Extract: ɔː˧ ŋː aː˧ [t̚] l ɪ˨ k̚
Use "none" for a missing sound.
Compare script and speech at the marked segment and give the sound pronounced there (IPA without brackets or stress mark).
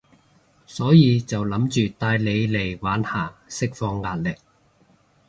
t̚